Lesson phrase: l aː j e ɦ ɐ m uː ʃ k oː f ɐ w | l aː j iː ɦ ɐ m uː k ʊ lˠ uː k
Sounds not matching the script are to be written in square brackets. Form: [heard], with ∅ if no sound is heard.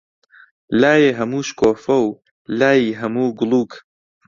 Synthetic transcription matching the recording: l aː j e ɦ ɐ m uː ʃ k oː f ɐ w | l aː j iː ɦ ɐ m uː [ɡ] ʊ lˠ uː k